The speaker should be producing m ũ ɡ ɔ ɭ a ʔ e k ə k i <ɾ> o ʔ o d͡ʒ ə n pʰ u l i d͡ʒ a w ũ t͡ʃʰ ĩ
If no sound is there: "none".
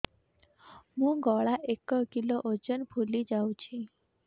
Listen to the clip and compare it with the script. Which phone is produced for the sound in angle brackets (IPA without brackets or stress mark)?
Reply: l